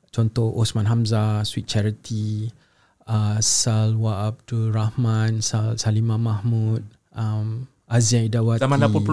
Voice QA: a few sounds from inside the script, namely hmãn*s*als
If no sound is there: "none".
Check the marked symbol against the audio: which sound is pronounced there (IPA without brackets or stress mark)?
s